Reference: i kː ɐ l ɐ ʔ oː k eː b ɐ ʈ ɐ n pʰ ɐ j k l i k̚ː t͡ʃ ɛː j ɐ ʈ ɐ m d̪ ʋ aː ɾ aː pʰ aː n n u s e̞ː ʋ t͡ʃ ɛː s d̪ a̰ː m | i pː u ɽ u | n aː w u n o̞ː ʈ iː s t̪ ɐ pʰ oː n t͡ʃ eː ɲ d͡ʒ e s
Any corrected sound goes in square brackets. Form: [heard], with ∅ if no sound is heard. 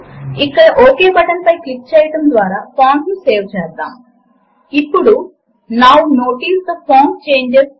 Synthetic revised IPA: i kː ɐ [ɽ] ɐ ʔ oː k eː b ɐ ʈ ɐ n [p] ɐ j k l i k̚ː t͡ʃ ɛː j ɐ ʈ ɐ m d̪ ʋ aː ɾ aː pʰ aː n n u s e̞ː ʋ t͡ʃ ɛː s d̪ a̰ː m | i pː u ɽ u | n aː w u n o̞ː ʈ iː s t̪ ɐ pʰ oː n t͡ʃ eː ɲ d͡ʒ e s